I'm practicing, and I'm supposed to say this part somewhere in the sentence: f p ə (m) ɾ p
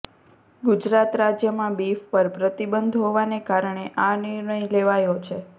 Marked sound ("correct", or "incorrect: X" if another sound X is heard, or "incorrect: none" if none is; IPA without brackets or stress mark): incorrect: none